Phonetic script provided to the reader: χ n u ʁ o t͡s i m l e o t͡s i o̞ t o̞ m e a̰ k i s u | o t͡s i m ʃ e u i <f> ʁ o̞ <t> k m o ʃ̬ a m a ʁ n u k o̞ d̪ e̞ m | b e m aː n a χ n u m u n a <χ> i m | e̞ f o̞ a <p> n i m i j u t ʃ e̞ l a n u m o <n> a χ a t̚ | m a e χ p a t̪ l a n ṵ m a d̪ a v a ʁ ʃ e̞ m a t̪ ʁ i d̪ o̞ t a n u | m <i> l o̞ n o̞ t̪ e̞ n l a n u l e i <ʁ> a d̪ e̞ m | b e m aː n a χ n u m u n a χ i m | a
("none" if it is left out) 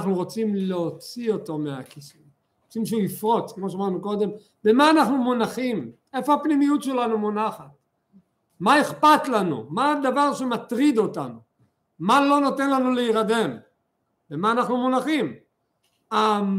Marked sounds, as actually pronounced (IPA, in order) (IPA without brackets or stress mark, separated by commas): f, t͡s, χ, p, n, a, ʁ